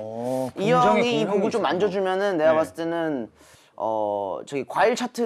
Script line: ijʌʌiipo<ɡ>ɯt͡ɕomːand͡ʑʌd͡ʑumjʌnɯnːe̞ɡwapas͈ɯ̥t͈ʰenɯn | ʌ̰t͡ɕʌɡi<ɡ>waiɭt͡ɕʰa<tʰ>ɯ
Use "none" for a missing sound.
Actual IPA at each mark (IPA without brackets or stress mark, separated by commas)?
ɡ, k, tʰ